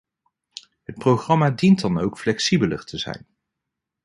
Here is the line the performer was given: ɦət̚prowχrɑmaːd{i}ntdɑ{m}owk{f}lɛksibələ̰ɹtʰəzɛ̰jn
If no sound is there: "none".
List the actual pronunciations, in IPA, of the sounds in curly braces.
i, n, f

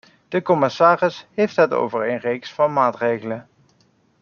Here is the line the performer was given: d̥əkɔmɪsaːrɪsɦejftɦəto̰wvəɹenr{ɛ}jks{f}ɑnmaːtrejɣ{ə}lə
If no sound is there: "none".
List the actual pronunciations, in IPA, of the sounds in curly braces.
e, f, ə

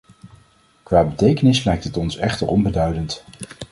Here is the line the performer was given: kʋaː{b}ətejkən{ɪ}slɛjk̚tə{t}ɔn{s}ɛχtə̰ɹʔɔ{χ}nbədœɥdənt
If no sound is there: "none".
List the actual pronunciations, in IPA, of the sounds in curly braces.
b, ɪ, t, s, none

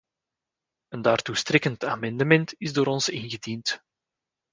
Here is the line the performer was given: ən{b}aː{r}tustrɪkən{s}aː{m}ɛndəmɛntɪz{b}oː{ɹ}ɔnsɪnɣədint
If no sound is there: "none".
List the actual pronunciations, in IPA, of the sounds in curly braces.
d, r, t, m, d, ɾ

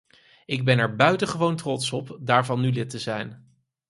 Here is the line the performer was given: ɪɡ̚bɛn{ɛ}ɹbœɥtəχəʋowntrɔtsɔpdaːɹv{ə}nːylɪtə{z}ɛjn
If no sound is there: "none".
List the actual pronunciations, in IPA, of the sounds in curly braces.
ɛ, ɑ, z

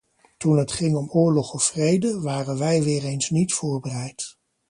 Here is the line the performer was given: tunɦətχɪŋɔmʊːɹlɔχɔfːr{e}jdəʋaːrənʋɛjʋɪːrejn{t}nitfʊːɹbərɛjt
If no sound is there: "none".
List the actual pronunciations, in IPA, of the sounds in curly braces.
e, s

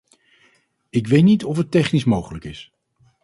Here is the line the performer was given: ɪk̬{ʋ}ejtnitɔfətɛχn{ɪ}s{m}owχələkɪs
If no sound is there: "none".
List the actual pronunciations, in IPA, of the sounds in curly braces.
ʋ, i, m

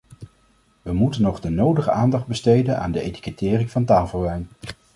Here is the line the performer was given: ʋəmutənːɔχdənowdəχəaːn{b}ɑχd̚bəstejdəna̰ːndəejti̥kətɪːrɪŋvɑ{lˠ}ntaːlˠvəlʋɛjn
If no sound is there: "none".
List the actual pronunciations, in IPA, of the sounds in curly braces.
d, none

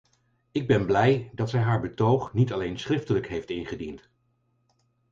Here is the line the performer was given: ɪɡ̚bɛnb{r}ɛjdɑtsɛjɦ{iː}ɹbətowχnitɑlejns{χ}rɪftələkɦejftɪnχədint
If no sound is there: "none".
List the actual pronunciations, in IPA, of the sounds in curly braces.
l, aː, χ

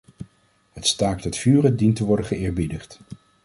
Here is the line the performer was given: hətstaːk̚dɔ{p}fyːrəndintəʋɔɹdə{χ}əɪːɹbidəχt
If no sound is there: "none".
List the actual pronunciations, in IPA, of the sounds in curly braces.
t, χ

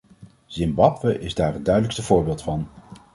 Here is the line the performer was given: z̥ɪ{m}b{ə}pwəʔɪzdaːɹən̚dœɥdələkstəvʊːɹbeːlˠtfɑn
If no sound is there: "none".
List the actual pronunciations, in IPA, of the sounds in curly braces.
m, ɑ

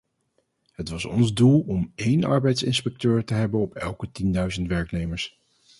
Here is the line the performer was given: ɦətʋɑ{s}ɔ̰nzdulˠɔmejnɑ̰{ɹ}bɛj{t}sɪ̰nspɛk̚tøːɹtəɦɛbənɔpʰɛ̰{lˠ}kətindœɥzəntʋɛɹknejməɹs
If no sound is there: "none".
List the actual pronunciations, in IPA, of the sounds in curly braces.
s, ɹ, t, lˠ

